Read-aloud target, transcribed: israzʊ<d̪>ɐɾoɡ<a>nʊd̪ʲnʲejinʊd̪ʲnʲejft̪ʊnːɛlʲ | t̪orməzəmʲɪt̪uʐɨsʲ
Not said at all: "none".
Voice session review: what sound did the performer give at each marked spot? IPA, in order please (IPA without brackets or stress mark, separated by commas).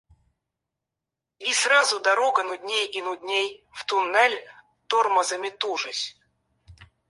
d̪, ə